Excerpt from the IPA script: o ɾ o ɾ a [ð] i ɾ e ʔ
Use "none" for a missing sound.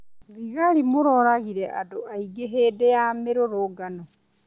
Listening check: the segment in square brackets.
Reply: ɣ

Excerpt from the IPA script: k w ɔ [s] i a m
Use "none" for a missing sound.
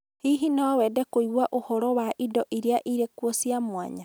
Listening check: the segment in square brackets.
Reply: s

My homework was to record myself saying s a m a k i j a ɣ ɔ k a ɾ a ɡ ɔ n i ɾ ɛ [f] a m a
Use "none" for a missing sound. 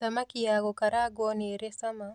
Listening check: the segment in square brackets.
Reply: s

